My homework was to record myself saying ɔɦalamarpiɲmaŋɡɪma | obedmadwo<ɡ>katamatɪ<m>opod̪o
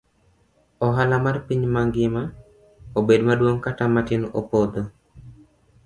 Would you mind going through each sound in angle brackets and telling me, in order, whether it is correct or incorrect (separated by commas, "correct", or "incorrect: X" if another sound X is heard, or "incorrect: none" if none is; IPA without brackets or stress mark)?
incorrect: ŋ, incorrect: n